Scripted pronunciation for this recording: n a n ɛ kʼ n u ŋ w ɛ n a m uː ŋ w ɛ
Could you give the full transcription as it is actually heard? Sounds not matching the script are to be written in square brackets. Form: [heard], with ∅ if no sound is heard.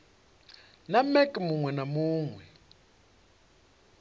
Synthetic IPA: n a [m] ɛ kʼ [m] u ŋ w ɛ n a m uː ŋ w ɛ